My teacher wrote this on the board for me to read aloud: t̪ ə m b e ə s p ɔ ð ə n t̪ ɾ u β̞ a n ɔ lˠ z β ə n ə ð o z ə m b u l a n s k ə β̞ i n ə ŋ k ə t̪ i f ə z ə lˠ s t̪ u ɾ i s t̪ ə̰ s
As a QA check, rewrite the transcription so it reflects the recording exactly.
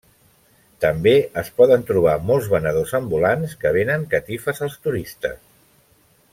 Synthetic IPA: t̪ ə m b e ə s p ɔ ð ə n t̪ ɾ u β̞ a m ɔ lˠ z β ə n ə ð o z ə m b u l a n s k ə β̞ e n ə ŋ k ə t̪ i f ə z ə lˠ s t̪ u ɾ i s t̪ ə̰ s